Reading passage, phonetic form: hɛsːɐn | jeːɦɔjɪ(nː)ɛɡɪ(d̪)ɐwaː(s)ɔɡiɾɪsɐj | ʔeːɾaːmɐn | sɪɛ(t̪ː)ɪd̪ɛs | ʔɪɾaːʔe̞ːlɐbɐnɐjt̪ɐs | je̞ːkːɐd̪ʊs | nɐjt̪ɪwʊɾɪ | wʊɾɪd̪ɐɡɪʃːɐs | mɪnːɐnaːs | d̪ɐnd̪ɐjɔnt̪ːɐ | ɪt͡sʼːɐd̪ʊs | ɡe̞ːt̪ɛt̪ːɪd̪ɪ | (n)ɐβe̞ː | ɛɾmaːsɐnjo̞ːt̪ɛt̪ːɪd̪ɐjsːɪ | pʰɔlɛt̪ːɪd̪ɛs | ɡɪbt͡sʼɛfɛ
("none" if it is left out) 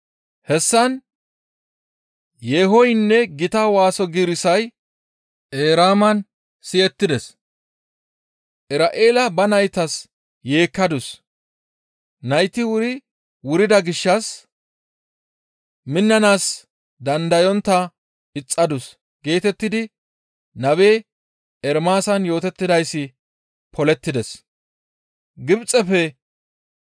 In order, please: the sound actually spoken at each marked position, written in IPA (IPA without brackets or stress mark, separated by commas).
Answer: nː, t̪, s, t̪ː, n